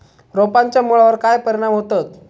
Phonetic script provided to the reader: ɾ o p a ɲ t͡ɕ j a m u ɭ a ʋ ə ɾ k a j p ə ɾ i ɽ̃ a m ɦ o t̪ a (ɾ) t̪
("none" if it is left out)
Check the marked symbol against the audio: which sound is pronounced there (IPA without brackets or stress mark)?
none